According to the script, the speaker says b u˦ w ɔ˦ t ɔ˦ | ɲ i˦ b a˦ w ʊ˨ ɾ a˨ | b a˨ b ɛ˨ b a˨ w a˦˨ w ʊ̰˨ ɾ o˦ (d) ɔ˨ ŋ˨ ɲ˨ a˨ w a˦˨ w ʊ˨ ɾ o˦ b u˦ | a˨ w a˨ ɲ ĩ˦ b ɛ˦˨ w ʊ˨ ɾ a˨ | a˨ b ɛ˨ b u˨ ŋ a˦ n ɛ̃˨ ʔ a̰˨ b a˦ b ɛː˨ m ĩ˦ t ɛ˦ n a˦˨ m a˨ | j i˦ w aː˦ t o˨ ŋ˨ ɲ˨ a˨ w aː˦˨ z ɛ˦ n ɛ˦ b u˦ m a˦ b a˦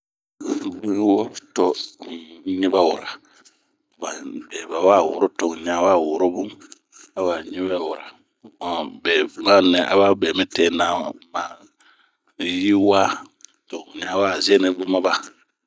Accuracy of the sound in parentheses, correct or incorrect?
incorrect: t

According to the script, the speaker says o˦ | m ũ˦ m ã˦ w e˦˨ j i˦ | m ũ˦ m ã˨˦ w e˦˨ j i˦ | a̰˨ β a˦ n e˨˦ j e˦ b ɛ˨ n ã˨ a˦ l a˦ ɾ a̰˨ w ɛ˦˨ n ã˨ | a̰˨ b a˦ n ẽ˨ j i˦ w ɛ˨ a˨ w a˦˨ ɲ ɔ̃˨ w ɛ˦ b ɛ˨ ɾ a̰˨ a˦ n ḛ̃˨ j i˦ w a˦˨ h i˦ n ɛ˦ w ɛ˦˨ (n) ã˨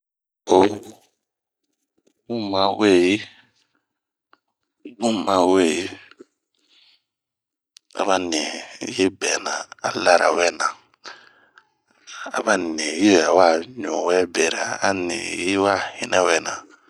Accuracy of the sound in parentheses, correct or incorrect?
correct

